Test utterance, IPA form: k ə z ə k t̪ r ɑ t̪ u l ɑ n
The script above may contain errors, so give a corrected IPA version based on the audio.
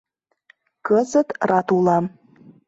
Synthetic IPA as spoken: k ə z ə t̪ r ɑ t̪ u l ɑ m

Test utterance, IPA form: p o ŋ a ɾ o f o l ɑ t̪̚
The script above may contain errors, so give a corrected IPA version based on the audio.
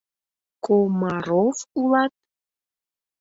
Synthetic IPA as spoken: k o m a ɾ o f u l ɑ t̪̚

